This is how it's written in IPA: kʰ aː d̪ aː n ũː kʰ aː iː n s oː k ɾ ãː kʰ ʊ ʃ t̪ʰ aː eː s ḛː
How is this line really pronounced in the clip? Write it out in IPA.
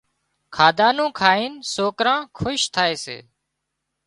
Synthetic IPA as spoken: kʰ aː d̪ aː n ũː kʰ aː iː n s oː k ɾ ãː kʰ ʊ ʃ t̪ʰ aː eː s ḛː